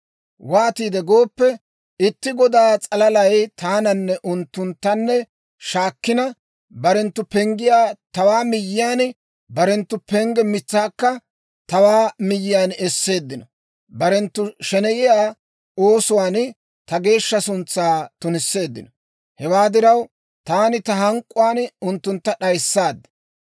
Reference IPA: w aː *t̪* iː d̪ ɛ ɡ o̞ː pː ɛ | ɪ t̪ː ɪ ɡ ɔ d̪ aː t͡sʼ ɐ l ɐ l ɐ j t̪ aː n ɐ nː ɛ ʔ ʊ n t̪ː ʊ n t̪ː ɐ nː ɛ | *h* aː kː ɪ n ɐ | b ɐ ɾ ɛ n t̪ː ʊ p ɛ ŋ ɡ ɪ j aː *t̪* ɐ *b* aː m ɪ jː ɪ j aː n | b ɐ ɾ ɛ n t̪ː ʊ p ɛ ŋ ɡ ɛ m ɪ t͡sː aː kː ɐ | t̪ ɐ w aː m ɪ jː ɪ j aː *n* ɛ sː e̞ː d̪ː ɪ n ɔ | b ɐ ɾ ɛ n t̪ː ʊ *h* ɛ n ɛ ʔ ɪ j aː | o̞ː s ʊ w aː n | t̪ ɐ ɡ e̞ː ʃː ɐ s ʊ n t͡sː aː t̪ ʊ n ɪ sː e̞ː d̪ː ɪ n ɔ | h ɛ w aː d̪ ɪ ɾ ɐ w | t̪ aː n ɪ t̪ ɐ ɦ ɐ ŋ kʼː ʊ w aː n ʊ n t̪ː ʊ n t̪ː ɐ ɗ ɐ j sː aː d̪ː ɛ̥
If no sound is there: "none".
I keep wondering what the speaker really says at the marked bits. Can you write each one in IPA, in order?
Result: t̪, ʃ, t̪, w, n, ʃ

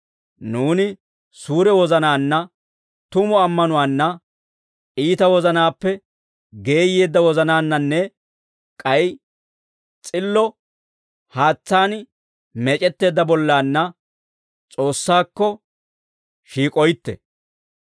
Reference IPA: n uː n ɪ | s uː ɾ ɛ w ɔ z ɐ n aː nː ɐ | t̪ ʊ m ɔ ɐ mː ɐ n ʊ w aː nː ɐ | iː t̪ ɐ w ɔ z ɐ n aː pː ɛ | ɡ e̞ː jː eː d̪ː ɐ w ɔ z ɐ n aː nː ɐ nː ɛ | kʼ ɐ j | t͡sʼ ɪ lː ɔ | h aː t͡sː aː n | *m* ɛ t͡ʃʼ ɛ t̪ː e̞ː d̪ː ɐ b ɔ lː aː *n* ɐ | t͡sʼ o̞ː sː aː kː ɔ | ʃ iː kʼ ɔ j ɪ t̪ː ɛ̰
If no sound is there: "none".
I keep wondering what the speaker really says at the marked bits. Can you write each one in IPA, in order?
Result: m, nː

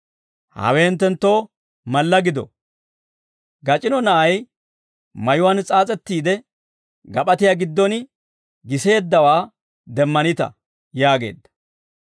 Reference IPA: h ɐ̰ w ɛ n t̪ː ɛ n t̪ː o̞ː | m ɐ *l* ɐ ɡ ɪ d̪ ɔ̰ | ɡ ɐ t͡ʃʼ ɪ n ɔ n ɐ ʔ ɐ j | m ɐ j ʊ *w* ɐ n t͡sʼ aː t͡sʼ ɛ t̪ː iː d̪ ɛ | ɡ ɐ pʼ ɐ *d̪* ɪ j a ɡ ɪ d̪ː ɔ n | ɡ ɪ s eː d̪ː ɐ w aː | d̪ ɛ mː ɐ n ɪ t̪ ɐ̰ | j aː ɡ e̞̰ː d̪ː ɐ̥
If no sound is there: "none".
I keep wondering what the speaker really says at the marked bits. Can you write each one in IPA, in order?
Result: lː, w, t̪

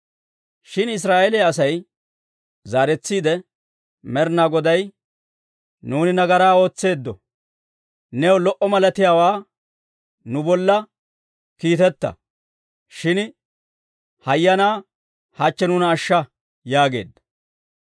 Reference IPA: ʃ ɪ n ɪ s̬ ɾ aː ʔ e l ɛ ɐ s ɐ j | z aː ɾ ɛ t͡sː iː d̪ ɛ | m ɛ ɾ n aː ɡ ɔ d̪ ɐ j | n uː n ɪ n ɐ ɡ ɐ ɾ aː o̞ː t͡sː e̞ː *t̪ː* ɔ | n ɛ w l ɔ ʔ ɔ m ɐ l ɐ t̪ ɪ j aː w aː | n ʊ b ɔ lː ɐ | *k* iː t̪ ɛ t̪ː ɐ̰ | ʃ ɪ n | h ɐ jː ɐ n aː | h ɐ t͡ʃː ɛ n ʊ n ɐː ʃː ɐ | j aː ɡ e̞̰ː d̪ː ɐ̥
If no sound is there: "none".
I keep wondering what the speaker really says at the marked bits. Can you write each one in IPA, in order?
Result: d̪ː, k

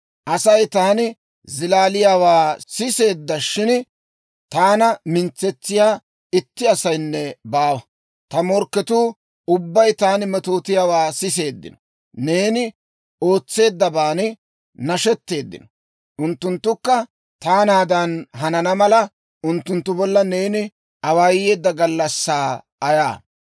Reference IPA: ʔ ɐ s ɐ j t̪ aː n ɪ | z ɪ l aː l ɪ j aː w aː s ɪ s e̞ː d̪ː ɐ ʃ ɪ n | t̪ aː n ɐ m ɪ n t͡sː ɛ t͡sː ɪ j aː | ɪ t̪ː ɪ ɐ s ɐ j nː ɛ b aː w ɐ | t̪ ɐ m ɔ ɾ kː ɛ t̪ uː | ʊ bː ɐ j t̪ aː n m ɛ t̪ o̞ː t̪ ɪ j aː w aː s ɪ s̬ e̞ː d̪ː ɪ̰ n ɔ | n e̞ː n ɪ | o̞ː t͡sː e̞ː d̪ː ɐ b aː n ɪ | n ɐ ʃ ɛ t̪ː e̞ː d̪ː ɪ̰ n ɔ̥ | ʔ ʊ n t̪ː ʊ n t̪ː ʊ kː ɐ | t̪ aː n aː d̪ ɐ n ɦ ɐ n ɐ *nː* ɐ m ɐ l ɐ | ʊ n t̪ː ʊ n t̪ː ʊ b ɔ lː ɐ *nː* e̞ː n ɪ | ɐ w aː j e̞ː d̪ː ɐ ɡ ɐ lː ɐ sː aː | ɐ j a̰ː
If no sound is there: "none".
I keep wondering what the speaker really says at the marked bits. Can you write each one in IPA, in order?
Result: n, n

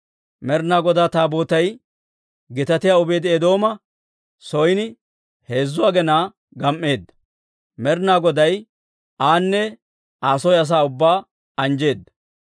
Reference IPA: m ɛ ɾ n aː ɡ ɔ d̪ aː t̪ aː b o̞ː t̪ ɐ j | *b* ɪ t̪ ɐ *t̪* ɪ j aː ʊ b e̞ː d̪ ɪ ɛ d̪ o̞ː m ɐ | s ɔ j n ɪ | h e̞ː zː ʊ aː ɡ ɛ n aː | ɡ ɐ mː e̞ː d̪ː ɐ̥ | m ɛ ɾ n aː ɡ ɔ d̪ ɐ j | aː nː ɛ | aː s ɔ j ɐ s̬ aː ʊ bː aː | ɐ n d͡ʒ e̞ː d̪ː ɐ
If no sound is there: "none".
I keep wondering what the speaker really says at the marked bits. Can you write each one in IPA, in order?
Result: ɡ, t̪

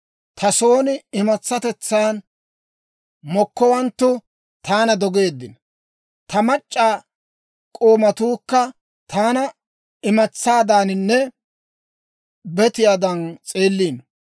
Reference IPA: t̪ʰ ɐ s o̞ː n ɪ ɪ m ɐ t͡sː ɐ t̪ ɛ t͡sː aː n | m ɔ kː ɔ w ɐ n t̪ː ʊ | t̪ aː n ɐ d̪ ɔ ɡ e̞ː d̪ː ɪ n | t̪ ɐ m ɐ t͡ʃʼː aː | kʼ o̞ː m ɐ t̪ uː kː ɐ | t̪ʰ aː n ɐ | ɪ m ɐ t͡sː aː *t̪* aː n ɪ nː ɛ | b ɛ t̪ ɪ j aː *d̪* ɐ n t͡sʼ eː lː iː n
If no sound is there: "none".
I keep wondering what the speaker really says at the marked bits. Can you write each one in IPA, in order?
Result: d̪, d̪

